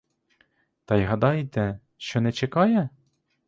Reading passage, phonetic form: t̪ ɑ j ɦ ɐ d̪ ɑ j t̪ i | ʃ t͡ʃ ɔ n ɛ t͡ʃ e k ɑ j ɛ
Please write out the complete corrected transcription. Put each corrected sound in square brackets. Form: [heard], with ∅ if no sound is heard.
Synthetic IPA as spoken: t̪ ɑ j ɦ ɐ d̪ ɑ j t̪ [ɛ] | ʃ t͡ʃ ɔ n ɛ t͡ʃ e k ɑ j ɛ